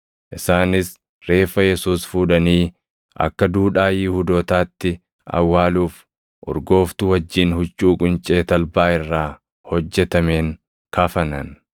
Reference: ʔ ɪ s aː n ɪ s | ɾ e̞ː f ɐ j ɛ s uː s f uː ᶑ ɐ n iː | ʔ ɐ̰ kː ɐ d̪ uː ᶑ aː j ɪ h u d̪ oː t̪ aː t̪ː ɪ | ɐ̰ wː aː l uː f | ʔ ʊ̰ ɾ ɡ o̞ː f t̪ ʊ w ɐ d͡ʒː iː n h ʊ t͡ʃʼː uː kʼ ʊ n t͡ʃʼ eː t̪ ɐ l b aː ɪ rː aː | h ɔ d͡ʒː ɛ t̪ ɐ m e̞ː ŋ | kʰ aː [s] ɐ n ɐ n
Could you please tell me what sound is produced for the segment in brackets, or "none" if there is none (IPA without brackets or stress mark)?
f